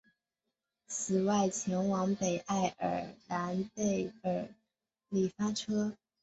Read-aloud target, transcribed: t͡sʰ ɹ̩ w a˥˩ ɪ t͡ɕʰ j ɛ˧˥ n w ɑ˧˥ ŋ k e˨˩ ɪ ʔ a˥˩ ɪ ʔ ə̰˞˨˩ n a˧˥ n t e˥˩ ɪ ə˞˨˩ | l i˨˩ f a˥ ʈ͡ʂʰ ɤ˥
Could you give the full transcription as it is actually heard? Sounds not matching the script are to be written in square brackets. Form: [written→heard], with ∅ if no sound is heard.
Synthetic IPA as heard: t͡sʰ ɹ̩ w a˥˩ ɪ t͡ɕʰ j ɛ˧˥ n w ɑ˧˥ ŋ [k→p] e˨˩ ɪ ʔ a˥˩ ɪ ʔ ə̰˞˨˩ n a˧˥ n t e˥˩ ɪ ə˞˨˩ | l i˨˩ f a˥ ʈ͡ʂʰ ɤ˥